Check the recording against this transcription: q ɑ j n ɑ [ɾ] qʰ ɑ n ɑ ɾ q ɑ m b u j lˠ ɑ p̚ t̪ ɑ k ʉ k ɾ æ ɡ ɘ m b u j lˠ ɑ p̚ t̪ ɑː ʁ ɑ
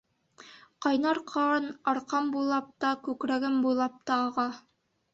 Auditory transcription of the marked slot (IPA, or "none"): ɾ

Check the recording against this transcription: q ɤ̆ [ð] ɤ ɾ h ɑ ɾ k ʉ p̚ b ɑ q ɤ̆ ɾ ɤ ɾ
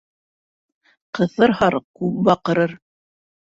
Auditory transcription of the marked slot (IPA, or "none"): θ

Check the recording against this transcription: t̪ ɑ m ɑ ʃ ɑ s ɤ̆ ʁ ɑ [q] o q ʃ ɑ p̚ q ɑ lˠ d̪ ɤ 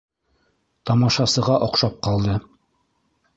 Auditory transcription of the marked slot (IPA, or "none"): ʔ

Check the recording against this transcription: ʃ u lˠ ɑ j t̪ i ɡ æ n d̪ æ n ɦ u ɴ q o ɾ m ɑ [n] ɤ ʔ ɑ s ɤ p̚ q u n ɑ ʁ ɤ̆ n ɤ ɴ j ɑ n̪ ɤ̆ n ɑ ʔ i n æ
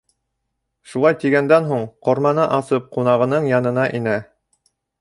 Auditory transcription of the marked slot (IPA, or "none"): n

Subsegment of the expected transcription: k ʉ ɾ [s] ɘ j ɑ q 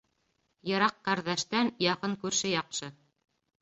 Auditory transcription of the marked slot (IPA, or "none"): ʃ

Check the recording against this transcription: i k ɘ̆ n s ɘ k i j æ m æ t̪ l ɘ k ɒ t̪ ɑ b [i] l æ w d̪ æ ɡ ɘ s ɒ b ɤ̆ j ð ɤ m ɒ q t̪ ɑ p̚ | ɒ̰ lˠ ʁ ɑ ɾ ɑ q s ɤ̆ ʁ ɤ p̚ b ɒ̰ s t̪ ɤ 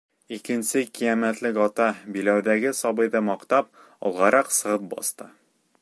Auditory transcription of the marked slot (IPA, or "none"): i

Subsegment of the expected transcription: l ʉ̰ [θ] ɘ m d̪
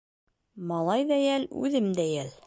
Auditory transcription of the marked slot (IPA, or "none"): ð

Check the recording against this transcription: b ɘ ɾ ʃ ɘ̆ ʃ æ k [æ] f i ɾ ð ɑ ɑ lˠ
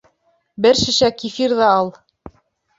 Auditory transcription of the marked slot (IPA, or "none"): i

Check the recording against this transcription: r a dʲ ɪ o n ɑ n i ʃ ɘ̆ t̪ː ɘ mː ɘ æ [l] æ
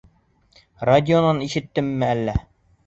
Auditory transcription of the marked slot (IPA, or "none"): lː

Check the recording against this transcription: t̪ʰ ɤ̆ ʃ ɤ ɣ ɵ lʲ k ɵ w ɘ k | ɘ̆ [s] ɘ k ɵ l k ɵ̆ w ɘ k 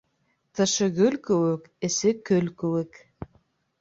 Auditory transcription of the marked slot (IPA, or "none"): s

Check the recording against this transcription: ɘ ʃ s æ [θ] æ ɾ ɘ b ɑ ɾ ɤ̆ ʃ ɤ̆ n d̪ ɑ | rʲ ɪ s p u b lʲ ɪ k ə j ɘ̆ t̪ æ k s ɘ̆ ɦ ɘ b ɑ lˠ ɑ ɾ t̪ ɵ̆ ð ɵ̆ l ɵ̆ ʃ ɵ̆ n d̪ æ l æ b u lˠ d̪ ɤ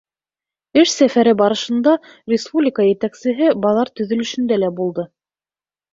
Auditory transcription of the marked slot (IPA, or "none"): f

